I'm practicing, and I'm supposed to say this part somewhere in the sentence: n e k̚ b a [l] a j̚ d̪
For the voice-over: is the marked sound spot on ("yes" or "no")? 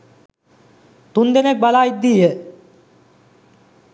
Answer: yes